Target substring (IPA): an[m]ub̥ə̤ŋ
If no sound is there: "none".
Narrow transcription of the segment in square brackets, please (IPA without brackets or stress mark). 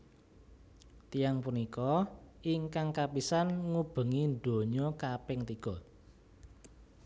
ŋ